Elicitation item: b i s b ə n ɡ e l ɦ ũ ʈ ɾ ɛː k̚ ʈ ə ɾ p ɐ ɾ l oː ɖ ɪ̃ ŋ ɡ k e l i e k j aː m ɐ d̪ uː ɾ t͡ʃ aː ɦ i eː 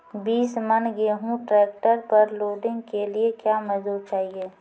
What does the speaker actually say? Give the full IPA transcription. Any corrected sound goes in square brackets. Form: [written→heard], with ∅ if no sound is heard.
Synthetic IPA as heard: b [i→iː] s [b→m] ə n ɡ e [l→∅] ɦ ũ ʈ ɾ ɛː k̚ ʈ ə ɾ p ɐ ɾ l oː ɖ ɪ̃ ŋ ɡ k e l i e k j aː m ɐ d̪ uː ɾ t͡ʃ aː ɦ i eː